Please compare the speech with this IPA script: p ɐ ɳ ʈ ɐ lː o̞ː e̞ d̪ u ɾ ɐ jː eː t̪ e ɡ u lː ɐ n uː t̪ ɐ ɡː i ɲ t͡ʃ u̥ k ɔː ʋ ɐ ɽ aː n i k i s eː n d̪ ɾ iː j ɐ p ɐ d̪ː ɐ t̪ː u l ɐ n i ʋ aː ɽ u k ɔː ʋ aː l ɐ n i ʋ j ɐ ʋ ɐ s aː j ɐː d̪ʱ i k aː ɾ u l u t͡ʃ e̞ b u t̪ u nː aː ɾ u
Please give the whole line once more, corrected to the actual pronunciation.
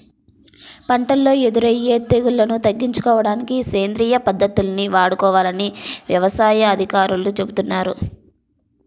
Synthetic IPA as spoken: p ɐ ɳ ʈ ɐ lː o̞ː e̞ d̪ u ɾ ɐ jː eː t̪ e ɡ u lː ɐ n u t̪ ɐ ɡː i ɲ t͡ʃ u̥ k ɔː ʋ ɐ ɽ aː n i k i s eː n d̪ ɾ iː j ɐ p ɐ d̪ː ɐ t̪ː u l ɐ n i ʋ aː ɽ u k ɔː ʋ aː l ɐ n i ʋ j ɐ ʋ ɐ s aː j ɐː d̪ʱ i k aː ɾ u l u t͡ʃ e̞ b u t̪ u nː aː ɾ u